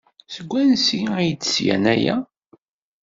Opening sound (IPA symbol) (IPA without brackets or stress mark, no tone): s